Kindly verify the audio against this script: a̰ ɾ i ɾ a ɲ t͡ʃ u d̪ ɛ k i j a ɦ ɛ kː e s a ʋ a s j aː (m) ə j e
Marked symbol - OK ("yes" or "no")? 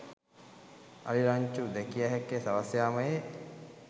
yes